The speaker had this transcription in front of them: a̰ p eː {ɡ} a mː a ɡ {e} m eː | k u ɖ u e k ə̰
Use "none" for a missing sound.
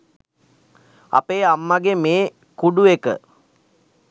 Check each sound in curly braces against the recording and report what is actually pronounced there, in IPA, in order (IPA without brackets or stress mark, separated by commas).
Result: none, e